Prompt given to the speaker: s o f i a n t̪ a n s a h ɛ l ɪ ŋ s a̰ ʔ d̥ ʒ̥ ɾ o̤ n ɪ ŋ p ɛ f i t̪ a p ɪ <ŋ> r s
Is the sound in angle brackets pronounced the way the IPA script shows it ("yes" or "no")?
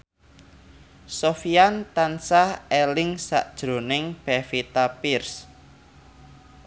no